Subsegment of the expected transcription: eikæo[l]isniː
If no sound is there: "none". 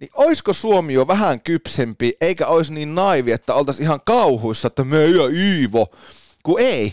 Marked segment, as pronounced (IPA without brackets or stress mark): none